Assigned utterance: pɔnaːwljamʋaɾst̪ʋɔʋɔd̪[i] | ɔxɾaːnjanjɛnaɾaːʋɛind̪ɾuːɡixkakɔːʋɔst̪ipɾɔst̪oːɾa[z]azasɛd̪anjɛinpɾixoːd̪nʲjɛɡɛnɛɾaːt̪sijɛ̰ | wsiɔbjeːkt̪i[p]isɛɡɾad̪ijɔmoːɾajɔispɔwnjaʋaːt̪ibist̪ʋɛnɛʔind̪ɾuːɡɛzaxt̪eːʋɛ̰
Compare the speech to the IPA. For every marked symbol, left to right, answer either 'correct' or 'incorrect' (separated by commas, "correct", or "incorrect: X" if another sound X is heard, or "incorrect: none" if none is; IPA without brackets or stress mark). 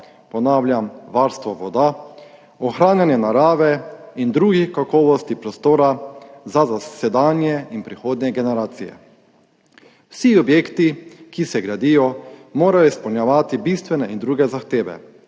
incorrect: a, correct, incorrect: k